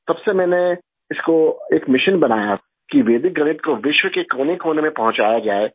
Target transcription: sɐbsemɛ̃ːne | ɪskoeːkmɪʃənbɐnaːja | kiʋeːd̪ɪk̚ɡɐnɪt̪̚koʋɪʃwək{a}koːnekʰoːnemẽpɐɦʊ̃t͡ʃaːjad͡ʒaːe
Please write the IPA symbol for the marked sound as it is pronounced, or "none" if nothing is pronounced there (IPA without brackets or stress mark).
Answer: e